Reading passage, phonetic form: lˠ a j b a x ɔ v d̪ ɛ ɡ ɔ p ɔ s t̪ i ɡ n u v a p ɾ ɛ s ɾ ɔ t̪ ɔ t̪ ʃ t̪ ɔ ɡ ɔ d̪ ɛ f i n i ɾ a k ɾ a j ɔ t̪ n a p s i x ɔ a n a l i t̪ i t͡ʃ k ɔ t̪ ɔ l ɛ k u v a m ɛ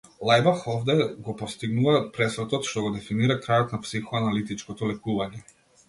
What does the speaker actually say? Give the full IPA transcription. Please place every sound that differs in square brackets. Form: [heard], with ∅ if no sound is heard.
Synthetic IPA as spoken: lˠ a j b a x ɔ v d̪ ɛ ɡ ɔ p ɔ s t̪ i ɡ n u v a p ɾ ɛ s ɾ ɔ t̪ ɔ t̪ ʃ t̪ ɔ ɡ ɔ d̪ ɛ f i n i ɾ a k ɾ a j ɔ t̪ n a p s i x ɔ a n a l i t̪ i t͡ʃ k ɔ t̪ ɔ l ɛ k u v a [ɲ] ɛ